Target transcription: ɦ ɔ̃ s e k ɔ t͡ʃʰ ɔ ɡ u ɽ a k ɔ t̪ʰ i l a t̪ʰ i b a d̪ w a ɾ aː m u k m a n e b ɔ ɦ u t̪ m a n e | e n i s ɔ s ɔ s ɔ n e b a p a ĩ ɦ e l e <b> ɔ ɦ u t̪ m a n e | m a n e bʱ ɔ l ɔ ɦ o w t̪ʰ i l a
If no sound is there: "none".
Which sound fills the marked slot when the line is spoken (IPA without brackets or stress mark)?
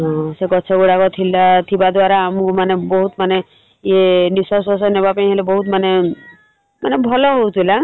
b